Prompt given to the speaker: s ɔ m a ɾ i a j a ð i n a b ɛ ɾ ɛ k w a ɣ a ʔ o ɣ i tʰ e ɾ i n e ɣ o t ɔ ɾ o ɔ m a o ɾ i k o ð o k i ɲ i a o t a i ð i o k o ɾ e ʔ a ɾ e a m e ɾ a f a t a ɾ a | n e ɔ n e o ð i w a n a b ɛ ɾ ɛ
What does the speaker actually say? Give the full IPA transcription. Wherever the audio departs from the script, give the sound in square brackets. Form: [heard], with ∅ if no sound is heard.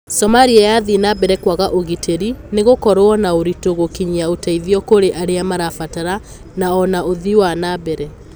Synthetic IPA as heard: s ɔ m a ɾ i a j a ð i n a b ɛ ɾ ɛ k w a ɣ a ʔ o ɣ i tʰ e ɾ i n e ɣ o [k] ɔ ɾ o ɔ [n] a o ɾ i [t] o [ɣ] o k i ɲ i a o t a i ð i [ɔ] k o ɾ e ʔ a ɾ e a m [a] ɾ a f a t a ɾ a | n [a] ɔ n [a] o ð i w a n a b ɛ ɾ ɛ